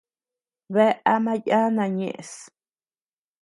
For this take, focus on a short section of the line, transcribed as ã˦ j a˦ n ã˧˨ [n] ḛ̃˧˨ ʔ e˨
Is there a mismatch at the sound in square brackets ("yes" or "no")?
yes